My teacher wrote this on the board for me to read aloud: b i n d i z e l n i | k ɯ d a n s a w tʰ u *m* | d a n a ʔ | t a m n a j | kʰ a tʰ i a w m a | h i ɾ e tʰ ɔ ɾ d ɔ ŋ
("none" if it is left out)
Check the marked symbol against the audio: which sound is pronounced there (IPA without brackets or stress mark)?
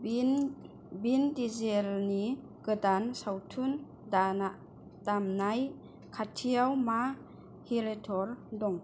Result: n